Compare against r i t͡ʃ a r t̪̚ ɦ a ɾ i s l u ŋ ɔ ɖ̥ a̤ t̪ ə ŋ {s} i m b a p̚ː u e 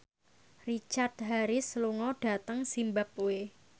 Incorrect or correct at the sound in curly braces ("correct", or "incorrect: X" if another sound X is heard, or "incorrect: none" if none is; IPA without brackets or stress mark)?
correct